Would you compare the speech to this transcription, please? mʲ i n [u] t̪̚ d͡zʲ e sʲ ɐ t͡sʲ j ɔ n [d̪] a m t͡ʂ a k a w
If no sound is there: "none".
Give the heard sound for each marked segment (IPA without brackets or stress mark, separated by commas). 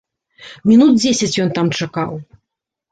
u, t̪